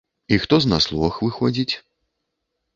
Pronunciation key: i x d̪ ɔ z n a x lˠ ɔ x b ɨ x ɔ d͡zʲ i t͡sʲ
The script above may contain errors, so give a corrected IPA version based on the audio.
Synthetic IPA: i x t̪ ɔ z n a s lˠ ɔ x v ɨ x ɔ d͡zʲ i t͡sʲ